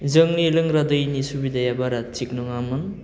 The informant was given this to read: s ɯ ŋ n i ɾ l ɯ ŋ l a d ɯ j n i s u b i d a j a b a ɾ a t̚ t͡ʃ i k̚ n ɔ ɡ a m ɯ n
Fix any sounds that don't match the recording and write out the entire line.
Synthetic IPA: z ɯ ŋ n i l ɯ ŋ ɾ a d ɯ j n i s u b i d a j a b a ɾ a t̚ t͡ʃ i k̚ n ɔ ŋ a m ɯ n